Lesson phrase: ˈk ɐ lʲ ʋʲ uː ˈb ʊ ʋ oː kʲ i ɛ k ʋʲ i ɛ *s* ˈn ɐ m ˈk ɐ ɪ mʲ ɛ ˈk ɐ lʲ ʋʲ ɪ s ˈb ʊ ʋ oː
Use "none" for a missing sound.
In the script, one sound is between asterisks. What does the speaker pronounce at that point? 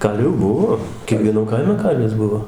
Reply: none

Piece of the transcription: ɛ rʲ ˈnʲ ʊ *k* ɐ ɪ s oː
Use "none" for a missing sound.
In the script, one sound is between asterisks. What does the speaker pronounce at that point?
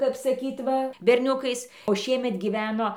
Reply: k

